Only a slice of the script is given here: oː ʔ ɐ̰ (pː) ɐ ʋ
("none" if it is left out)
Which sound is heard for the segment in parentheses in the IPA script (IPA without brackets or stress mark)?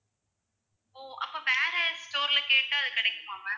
pː